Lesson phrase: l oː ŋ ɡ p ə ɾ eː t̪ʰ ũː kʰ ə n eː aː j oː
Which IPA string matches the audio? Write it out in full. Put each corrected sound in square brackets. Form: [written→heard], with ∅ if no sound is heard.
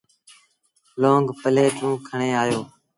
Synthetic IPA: l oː ŋ ɡ p ə [ɾ→l] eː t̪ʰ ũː kʰ ə [n→ɳ] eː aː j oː